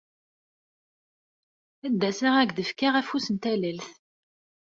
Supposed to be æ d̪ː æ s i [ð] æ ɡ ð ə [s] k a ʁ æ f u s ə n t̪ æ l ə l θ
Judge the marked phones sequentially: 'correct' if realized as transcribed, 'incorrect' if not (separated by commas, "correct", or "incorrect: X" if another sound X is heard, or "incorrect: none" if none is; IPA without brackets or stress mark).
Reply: incorrect: ʁ, incorrect: f